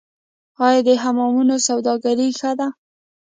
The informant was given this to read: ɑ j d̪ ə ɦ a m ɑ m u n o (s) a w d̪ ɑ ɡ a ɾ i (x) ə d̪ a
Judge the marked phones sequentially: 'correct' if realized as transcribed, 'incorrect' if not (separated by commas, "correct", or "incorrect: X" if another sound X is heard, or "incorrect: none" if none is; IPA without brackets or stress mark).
correct, correct